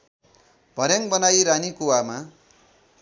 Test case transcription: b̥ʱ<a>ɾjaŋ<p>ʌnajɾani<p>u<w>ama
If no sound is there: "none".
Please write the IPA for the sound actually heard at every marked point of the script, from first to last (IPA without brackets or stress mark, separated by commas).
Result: ʌ, b, k, w